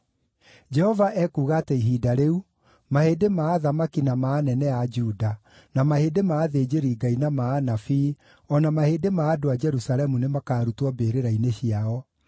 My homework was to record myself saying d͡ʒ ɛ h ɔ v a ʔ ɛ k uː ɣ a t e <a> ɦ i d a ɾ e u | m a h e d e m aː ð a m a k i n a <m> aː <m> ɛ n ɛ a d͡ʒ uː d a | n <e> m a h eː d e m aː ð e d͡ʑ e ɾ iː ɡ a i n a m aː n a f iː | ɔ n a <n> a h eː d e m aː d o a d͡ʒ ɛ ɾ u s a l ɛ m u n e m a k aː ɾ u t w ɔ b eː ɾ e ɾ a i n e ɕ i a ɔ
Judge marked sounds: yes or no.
no, yes, no, no, no

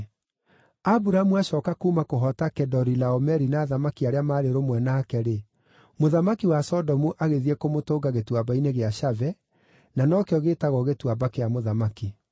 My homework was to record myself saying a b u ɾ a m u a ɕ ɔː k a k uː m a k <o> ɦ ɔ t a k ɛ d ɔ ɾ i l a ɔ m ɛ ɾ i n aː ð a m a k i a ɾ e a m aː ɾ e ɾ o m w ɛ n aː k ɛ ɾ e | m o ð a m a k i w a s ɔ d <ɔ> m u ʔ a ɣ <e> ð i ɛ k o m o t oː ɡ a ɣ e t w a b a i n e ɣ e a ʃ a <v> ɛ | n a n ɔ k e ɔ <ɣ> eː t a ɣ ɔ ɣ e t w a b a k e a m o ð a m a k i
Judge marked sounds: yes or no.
yes, yes, yes, yes, yes

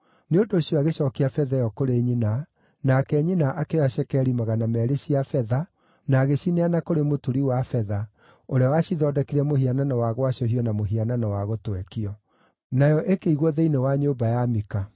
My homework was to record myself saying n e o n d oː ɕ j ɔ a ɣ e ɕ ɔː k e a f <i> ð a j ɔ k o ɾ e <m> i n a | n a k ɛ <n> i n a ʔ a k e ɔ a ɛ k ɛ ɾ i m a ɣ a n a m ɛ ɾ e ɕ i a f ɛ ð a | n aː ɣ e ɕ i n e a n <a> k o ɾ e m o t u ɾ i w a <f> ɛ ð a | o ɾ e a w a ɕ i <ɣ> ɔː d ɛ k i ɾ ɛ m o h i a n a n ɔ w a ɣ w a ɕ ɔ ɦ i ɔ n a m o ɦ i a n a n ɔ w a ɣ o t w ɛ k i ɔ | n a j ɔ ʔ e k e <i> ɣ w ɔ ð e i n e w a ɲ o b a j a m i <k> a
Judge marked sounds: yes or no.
no, no, no, yes, yes, no, yes, yes

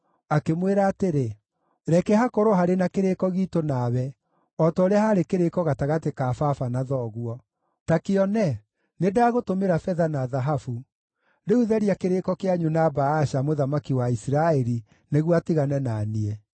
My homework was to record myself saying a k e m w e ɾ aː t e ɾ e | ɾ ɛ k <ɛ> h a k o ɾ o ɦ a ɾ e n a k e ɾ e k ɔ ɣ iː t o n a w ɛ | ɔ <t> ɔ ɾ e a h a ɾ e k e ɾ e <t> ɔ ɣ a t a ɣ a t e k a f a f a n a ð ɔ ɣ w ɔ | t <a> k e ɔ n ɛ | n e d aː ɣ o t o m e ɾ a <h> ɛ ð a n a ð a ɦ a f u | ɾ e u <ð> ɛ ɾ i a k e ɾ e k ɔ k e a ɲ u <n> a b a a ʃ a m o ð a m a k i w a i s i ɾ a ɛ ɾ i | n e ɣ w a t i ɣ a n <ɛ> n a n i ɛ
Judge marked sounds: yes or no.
yes, yes, no, yes, no, yes, yes, yes

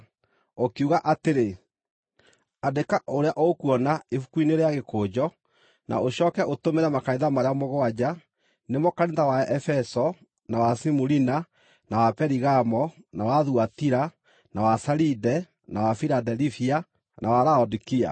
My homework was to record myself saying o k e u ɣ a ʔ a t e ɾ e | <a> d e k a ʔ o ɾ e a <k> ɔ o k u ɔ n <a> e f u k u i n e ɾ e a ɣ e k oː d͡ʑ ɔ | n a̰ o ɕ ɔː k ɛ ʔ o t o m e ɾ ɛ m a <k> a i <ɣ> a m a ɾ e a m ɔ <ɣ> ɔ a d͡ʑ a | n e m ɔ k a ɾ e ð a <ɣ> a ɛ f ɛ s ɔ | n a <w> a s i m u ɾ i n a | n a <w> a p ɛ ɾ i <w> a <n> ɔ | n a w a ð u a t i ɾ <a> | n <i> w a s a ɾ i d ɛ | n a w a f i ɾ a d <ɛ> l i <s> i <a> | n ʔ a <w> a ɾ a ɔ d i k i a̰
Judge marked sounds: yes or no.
yes, no, yes, yes, no, yes, no, yes, yes, no, no, yes, no, yes, no, yes, yes

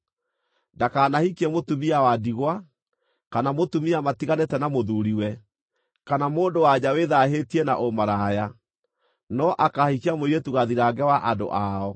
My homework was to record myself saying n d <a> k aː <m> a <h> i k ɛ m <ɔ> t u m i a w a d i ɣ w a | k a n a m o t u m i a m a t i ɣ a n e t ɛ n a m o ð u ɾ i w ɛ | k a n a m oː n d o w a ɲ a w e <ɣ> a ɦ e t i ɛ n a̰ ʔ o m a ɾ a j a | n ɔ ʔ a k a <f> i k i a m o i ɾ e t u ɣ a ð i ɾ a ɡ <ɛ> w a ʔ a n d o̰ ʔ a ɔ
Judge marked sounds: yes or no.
yes, no, yes, no, no, no, yes

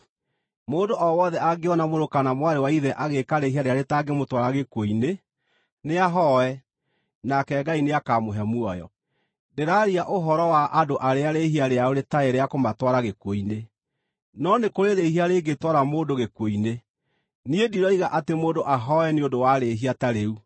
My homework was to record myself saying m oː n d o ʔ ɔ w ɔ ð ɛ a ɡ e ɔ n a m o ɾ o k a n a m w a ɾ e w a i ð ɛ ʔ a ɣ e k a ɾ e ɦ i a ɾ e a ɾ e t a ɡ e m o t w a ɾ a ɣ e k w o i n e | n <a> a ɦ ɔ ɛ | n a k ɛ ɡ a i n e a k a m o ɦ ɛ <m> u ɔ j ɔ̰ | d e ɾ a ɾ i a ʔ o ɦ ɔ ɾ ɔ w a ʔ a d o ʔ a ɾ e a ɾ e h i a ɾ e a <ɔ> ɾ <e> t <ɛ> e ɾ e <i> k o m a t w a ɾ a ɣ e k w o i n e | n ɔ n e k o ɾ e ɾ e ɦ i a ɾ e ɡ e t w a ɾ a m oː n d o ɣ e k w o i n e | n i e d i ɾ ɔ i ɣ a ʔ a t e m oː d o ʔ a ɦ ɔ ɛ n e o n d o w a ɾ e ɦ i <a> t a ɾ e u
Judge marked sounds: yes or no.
no, yes, no, yes, no, no, yes

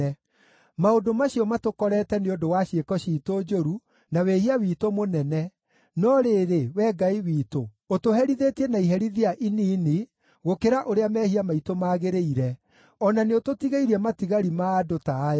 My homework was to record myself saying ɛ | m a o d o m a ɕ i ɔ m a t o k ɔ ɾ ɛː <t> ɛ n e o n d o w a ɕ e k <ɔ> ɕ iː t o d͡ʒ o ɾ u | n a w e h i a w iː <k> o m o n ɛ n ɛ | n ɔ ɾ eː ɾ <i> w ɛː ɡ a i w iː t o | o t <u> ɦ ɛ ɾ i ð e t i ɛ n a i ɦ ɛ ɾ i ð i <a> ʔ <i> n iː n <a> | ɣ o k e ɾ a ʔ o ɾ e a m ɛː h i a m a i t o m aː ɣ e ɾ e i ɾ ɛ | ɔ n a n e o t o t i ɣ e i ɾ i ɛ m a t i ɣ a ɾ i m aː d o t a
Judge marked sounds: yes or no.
yes, yes, no, no, no, yes, yes, no

